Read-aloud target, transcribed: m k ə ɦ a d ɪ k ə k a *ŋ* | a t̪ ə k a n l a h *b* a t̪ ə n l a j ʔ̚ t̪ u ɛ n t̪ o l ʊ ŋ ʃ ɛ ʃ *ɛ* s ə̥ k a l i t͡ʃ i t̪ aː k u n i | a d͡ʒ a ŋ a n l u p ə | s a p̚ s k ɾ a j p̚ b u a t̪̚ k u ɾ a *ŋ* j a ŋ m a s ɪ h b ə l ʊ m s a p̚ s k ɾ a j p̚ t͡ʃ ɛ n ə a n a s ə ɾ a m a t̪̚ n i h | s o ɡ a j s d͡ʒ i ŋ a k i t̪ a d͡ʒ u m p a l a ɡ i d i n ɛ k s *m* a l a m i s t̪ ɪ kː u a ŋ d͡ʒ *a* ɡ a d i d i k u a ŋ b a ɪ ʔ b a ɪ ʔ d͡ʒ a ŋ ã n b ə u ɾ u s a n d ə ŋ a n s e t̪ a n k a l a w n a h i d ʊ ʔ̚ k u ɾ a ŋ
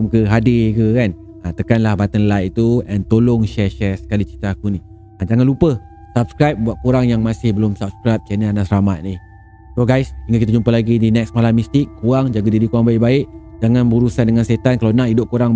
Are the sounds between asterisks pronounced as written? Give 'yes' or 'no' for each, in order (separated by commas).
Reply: no, yes, yes, yes, yes, yes